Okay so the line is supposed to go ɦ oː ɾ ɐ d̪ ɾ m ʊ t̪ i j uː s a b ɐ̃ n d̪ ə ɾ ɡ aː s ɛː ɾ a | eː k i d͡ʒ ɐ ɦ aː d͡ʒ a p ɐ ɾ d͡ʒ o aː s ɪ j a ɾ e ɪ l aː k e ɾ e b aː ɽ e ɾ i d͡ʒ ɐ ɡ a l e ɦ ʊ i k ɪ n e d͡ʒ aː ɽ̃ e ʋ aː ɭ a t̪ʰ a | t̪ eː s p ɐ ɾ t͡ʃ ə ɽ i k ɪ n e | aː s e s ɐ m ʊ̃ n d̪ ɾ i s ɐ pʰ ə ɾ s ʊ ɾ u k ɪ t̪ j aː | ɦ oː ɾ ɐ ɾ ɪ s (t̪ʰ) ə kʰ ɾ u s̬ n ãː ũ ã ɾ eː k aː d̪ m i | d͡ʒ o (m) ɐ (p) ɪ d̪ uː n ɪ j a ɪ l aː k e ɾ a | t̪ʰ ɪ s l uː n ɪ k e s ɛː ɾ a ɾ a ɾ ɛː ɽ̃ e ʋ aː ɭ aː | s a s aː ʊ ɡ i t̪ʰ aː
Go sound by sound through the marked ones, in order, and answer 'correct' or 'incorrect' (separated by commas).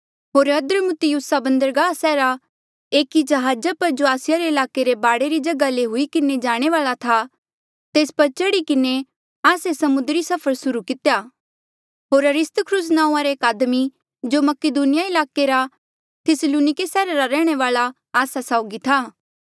incorrect, correct, incorrect